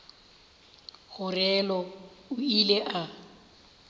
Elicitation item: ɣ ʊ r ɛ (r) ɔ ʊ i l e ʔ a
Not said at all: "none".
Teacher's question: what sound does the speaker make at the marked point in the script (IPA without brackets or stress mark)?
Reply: l